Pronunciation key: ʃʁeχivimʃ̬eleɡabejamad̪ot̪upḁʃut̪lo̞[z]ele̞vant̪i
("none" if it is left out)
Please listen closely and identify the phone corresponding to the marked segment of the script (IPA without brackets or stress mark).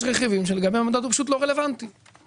ʁ